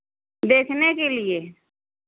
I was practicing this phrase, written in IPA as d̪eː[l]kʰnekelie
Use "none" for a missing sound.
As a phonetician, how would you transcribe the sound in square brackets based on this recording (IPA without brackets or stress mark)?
none